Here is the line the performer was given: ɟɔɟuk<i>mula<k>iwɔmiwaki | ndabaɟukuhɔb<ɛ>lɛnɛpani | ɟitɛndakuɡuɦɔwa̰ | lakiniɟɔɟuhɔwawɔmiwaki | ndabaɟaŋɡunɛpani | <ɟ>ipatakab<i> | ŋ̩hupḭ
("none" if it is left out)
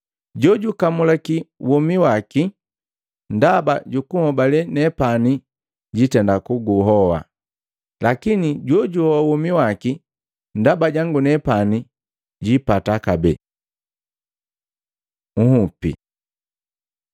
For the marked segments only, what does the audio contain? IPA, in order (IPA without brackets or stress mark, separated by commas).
a, k, a, ɟ, ɛ